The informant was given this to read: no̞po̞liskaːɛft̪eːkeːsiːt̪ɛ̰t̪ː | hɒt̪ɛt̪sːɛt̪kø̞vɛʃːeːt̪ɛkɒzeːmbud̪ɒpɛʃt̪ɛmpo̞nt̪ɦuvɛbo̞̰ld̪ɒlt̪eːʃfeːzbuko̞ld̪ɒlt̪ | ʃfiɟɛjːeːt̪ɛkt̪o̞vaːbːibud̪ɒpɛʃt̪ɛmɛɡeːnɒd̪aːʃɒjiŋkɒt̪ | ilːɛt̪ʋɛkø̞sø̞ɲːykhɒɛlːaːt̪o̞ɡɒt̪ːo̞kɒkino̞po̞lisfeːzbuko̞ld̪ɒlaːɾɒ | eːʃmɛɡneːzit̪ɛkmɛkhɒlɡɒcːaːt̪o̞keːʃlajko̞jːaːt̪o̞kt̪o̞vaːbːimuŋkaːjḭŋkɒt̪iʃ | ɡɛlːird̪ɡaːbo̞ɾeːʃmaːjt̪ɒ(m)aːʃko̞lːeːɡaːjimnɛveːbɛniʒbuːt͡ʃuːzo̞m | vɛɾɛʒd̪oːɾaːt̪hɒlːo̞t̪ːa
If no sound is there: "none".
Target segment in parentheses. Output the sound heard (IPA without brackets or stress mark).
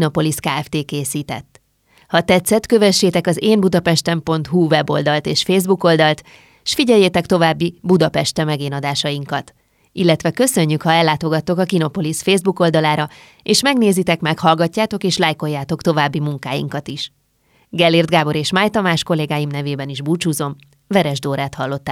m